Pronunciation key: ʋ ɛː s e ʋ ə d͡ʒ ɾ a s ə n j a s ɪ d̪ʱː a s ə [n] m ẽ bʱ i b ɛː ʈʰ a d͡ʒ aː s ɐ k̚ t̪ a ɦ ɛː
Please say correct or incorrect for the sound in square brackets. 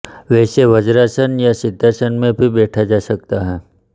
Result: correct